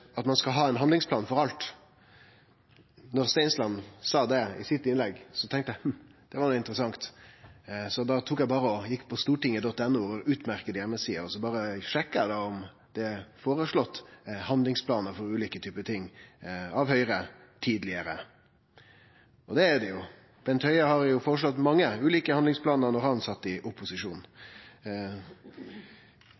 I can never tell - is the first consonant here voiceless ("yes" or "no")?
yes